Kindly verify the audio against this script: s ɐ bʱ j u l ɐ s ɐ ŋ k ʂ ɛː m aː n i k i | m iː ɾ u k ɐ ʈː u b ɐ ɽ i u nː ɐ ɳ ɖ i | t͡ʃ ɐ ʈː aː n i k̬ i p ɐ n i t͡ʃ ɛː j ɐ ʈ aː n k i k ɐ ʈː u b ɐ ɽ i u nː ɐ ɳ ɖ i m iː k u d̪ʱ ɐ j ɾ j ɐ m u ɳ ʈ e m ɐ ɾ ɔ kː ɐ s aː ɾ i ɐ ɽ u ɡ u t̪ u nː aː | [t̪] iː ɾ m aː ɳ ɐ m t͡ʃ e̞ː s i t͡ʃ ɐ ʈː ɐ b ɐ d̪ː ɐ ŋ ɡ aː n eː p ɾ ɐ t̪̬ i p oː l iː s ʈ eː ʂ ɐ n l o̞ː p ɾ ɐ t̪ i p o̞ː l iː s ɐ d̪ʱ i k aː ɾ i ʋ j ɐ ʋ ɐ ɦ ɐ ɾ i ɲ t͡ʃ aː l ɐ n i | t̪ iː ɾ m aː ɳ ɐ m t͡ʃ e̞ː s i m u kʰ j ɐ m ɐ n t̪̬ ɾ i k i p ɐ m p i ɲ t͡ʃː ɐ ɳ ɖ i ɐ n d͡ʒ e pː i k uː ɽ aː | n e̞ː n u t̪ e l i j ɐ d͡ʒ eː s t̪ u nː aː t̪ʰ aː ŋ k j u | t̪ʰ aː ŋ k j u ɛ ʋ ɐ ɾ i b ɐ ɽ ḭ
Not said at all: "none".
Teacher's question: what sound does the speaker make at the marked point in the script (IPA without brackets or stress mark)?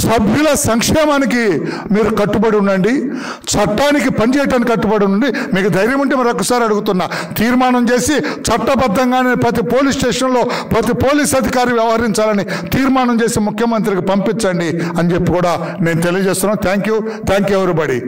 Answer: t̪